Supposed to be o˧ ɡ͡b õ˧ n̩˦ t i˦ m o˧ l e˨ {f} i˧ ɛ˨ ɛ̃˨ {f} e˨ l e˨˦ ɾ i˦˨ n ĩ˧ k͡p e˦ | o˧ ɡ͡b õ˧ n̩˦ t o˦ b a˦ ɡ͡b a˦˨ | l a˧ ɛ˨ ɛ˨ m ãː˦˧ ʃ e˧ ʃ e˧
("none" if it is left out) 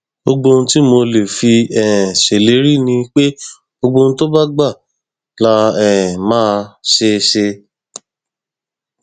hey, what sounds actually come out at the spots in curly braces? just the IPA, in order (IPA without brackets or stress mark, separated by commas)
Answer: f, ʃ